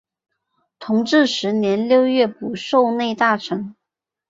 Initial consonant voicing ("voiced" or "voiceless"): voiceless